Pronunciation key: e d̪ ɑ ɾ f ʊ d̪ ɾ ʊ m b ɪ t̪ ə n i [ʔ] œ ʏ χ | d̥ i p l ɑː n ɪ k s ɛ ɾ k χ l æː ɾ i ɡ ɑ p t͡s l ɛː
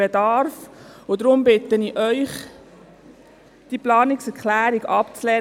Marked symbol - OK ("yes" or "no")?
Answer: yes